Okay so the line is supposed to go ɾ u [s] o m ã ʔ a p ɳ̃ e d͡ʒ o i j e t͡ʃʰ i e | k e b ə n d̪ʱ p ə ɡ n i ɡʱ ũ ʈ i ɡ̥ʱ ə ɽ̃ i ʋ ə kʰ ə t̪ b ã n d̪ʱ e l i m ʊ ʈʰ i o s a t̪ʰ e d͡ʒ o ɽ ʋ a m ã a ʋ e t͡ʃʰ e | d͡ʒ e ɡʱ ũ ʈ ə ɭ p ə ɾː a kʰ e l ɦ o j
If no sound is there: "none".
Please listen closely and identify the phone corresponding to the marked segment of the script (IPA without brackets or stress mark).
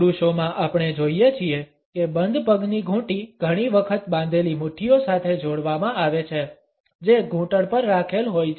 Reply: ʃ